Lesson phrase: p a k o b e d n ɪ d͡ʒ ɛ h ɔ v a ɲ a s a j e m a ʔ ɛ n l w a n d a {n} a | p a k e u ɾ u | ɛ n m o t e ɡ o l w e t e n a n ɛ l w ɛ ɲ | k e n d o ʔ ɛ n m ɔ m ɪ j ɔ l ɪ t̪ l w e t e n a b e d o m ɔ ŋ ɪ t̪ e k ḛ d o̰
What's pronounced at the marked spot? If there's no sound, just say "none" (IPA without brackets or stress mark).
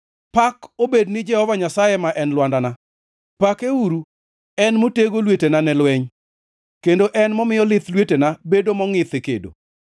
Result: n